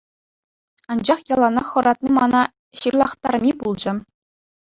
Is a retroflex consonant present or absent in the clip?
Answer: absent